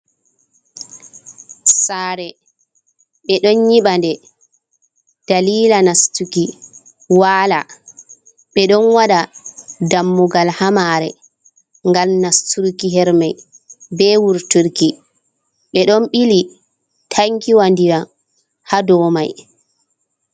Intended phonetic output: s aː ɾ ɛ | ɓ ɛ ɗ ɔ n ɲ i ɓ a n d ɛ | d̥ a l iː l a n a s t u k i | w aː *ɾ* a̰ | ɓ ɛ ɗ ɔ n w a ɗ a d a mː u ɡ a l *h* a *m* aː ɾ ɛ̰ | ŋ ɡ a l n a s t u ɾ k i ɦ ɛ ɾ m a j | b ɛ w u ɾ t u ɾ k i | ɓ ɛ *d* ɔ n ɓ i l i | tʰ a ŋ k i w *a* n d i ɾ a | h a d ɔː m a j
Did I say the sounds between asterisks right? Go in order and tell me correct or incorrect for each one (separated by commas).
incorrect, correct, correct, incorrect, correct